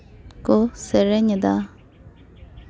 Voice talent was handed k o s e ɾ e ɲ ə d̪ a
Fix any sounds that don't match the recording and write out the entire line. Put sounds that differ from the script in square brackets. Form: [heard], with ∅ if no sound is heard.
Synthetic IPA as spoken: k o s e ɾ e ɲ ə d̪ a